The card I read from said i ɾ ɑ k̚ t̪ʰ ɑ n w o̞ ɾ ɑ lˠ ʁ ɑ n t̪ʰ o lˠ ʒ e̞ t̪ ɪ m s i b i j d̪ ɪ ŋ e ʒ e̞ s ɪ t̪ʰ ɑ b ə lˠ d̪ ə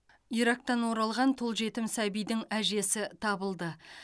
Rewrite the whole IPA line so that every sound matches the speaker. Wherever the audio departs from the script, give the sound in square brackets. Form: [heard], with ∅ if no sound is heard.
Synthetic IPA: i ɾ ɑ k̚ [t̪] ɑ n w o̞ ɾ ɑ lˠ ʁ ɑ n t̪ʰ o lˠ ʒ e̞ t̪ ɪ m s [æ] b i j d̪ ɪ ŋ [æ] ʒ e̞ s ɪ t̪ʰ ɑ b ə lˠ d̪ ə